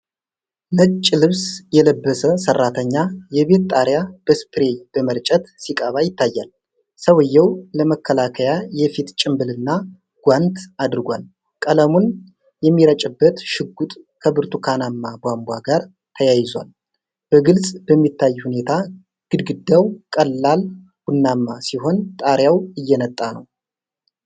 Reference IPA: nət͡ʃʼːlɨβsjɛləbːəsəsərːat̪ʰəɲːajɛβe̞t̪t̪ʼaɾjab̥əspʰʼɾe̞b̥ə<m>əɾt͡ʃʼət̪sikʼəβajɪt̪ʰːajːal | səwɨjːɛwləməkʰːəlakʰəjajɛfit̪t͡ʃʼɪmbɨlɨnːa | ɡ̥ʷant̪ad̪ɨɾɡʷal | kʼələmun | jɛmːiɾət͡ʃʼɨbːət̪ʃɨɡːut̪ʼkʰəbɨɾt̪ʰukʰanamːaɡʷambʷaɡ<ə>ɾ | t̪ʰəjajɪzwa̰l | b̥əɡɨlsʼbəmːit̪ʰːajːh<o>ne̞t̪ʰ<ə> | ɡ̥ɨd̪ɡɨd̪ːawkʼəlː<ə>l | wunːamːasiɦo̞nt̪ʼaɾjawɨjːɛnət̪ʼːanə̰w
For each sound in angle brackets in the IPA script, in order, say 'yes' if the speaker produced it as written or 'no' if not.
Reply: yes, no, no, no, no

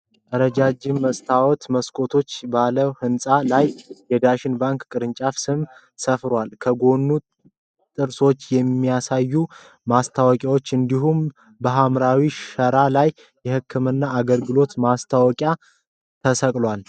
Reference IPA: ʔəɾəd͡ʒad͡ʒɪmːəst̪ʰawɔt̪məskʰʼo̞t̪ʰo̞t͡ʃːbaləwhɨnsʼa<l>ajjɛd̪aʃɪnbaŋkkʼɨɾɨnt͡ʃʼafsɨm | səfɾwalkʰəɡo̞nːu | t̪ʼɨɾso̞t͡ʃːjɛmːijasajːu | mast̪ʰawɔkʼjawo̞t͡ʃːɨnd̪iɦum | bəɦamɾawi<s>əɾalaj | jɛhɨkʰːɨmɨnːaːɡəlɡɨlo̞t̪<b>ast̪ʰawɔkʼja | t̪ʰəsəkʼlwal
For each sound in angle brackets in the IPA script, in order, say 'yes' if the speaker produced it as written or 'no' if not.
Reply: yes, no, no

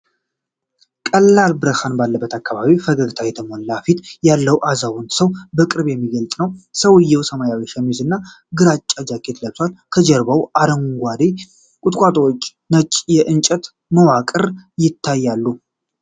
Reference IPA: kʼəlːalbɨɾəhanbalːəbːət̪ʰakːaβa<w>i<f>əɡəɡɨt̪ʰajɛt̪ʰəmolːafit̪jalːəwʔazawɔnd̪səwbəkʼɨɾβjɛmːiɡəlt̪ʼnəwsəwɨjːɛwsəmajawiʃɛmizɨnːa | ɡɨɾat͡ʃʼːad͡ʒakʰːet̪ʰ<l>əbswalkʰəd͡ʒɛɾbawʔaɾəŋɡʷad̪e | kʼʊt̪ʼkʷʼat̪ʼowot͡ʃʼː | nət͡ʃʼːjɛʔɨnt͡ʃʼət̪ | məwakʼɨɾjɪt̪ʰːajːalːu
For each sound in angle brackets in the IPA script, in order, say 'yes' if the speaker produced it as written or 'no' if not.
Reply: no, yes, yes

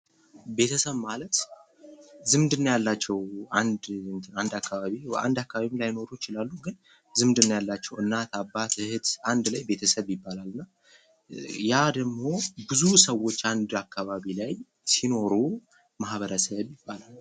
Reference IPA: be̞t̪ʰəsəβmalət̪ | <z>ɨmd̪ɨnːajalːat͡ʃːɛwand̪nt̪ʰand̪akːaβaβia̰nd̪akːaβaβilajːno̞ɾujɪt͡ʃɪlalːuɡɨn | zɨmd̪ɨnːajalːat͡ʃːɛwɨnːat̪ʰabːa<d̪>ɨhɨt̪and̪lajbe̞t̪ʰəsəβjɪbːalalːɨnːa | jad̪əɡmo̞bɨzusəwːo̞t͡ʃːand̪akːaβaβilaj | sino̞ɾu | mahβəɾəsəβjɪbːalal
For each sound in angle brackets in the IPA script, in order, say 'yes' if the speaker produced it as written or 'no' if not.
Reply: yes, no

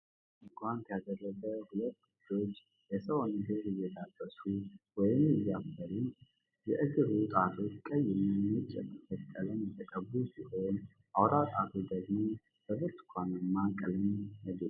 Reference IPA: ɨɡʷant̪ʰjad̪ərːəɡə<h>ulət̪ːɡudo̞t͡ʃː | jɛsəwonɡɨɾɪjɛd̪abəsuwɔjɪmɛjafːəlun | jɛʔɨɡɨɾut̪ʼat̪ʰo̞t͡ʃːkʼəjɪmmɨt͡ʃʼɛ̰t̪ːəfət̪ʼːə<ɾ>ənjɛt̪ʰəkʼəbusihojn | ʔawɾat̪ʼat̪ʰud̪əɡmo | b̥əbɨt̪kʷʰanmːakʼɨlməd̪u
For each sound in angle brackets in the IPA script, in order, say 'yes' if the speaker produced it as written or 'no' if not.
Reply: yes, no

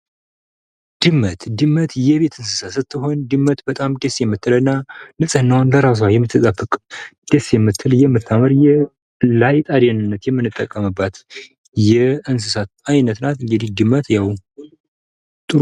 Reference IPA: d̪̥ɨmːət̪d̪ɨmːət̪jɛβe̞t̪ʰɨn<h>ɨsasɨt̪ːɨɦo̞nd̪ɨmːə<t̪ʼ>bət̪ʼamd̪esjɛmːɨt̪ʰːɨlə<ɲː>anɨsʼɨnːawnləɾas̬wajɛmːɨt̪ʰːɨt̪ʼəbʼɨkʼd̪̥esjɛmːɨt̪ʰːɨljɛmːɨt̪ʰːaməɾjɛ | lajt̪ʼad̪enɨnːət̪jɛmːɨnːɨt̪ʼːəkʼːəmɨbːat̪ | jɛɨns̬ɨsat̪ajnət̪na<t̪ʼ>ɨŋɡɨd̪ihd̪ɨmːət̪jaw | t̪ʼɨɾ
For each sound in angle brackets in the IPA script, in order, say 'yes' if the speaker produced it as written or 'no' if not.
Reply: no, no, no, no

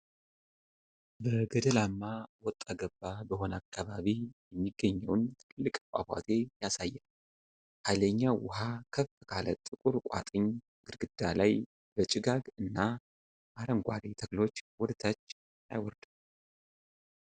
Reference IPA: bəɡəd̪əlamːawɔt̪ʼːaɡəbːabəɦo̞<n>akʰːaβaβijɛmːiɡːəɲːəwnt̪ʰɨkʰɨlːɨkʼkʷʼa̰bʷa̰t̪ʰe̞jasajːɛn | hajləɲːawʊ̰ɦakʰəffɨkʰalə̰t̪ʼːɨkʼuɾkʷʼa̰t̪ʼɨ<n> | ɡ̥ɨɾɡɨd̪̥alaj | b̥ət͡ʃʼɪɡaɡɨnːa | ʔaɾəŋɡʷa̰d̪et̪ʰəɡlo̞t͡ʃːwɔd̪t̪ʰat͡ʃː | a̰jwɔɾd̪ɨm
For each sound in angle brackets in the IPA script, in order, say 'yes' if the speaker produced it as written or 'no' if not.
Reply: yes, no

